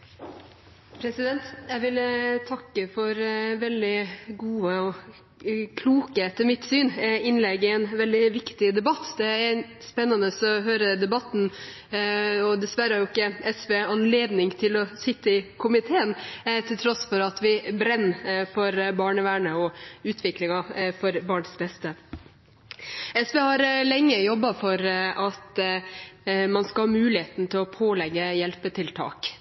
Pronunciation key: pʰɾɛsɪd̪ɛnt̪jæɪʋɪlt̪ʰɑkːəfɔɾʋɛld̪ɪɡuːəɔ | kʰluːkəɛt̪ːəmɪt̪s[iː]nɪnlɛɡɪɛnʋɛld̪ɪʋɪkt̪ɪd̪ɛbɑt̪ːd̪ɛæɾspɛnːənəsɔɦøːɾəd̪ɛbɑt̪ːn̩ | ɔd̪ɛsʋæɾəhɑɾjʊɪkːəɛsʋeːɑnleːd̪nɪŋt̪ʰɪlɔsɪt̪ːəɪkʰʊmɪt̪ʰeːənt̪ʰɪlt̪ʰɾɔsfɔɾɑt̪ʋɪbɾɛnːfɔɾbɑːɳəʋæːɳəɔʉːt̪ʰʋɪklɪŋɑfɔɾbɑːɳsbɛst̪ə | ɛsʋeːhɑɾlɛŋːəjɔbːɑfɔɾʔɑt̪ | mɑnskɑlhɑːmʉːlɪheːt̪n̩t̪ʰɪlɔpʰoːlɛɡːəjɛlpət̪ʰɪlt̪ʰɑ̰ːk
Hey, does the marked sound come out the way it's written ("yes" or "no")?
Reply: no